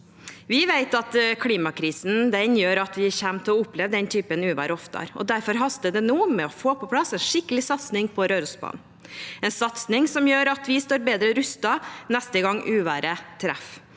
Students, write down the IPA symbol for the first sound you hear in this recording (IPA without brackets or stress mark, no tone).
ʋ